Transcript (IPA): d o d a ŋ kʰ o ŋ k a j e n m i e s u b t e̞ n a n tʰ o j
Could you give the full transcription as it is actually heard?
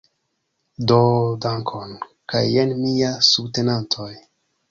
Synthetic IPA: d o d a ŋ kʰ o n k a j e n m i a s u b t e̞ n a n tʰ o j